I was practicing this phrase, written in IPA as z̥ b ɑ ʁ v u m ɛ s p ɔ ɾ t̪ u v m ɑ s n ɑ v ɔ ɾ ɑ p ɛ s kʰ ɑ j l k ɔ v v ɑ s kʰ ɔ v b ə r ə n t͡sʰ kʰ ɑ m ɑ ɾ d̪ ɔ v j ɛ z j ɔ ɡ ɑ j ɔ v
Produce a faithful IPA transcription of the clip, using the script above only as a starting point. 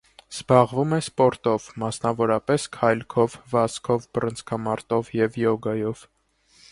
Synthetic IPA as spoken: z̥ b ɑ ʁ v u m ɛ s p ɔ ɾ t̪ ɔ v m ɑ s n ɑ v ɔ ɾ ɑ p ɛ s kʰ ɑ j l kʰ ɔ v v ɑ s kʰ ɔ v b ə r ə n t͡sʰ kʰ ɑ m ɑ ɾ t̪ ɔ v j ɛ v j ɔ ɡ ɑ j ɔ v